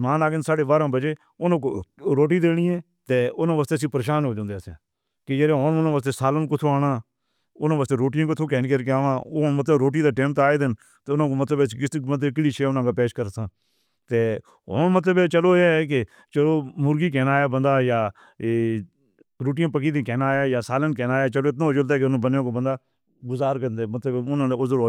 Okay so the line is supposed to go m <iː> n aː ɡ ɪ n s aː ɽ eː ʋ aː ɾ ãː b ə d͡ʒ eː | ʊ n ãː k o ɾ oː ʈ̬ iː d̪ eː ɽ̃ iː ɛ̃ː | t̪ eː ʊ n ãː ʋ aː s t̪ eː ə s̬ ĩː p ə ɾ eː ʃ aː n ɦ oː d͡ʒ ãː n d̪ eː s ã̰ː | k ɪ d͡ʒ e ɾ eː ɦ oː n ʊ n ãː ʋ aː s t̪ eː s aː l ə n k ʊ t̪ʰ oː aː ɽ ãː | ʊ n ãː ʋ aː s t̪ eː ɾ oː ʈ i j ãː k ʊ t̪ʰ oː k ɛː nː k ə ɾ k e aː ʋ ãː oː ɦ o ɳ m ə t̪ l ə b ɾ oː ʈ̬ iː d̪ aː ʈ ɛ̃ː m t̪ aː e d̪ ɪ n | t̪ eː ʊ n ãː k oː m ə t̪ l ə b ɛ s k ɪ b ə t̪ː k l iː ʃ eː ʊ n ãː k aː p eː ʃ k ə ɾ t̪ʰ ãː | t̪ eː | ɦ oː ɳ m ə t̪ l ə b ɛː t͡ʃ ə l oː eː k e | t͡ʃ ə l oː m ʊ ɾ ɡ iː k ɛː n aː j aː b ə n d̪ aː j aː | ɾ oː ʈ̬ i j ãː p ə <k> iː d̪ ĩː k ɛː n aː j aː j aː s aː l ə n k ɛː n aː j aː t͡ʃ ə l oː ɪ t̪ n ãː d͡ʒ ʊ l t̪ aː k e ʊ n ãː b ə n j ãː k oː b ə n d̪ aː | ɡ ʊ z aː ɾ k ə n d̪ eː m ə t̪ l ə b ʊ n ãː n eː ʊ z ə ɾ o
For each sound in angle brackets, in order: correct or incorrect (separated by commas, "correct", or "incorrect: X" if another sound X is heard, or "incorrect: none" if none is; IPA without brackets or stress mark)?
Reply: incorrect: aː, correct